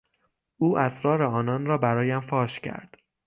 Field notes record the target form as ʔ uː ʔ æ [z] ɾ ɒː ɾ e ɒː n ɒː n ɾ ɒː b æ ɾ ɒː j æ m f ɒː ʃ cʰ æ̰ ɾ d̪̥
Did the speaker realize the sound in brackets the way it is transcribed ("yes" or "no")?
no